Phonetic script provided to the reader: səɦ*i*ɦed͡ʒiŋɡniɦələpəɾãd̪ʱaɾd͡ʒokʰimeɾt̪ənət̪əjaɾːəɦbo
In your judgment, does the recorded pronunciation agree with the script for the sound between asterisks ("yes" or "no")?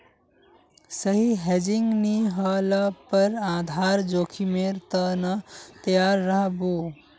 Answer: yes